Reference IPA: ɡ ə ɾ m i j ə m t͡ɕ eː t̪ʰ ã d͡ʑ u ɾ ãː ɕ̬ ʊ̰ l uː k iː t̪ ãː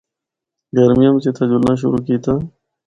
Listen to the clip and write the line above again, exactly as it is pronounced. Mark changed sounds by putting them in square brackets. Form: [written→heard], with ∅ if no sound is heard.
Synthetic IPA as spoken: ɡ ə ɾ m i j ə m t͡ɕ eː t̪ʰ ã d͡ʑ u [ɾ→l] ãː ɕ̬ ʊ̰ [l→ɾ] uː k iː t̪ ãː

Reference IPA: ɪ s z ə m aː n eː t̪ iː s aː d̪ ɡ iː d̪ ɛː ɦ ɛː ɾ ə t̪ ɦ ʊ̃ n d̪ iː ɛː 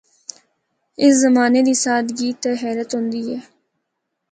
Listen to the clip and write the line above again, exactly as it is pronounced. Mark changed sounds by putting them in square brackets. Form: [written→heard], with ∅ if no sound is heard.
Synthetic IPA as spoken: ɪ s z ə m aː n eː [t̪→d̪] iː s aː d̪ ɡ iː [d̪→t̪] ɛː ɦ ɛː ɾ ə t̪ ɦ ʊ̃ n d̪ iː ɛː

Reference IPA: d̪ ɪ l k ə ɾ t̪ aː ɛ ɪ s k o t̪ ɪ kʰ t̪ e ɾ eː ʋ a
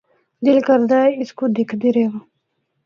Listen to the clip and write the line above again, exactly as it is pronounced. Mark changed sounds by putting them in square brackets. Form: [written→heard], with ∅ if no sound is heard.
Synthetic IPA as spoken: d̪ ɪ l k ə ɾ [t̪→d̪] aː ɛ ɪ s k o [t̪→d̪] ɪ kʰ [t̪→d̪] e ɾ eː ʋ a

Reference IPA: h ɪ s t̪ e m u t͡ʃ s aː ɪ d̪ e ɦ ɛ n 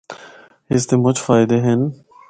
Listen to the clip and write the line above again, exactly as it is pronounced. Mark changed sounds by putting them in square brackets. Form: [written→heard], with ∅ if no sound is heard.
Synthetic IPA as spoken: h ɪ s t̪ e m [u→ʊ] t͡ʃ [s→f] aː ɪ d̪ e ɦ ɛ n

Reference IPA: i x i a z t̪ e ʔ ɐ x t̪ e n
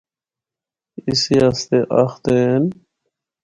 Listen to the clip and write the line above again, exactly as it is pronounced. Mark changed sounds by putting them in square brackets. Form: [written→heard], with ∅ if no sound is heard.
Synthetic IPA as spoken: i [x→s] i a [z→s] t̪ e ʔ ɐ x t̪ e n

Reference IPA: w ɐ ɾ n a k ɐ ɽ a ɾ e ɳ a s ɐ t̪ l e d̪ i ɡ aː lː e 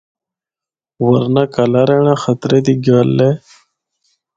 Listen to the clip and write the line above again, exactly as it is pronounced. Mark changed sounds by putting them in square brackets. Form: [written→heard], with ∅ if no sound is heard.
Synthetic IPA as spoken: w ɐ ɾ n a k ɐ [ɽ→l] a ɾ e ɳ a [s→x] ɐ t̪ [l→ɾ] e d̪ i ɡ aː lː e

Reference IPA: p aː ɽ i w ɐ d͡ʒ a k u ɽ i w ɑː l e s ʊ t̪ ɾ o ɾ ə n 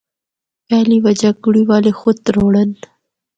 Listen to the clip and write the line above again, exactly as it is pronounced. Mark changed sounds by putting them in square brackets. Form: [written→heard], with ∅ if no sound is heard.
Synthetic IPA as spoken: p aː [ɽ→l] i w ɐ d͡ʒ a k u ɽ i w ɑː l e [s→x] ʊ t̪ ɾ o [ɾ→ɽ] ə n

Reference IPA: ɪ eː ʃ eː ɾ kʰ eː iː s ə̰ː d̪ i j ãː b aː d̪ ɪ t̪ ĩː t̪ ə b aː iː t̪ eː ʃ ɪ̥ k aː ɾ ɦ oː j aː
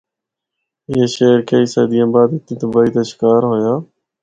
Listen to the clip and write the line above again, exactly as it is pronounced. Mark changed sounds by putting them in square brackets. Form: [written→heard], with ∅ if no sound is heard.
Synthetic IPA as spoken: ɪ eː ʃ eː ɾ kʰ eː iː s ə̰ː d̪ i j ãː b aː d̪ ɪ t̪ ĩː t̪ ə b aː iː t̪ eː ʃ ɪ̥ k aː ɾ ɦ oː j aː

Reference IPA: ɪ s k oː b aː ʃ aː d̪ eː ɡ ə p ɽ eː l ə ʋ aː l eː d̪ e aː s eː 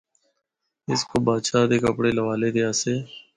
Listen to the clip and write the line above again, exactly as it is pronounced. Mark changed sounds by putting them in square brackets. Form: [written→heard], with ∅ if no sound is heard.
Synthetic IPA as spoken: ɪ s k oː b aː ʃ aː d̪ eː [ɡ→k] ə p ɽ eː l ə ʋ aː l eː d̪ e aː s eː

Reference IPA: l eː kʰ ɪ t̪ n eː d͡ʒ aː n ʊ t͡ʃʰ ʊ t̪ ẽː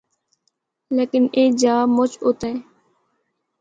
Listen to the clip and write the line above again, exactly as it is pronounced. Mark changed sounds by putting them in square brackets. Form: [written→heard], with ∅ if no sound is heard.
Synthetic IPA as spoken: l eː [kʰ→k] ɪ [t̪→∅] n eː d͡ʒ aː [n→m] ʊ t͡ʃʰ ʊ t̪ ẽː

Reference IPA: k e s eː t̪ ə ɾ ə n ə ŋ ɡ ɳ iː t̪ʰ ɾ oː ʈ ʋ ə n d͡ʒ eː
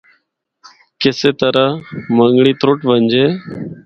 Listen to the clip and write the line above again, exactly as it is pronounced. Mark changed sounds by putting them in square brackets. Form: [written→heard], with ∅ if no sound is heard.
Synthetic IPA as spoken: k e s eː t̪ ə ɾ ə [n→m] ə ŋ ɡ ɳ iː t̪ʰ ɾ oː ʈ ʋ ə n d͡ʒ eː

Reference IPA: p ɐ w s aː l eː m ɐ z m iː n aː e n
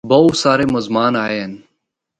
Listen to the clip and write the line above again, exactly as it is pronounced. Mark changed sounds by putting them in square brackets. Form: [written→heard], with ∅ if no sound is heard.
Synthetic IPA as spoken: [p→b] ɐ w s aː [l→ɾ] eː m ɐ z m [iː→aː] n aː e n

